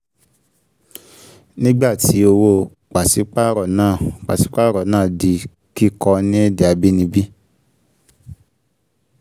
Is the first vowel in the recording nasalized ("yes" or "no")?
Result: yes